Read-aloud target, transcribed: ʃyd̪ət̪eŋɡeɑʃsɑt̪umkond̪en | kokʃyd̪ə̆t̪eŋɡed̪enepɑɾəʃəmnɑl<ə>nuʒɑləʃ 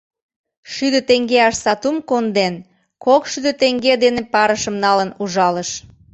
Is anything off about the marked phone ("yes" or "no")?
no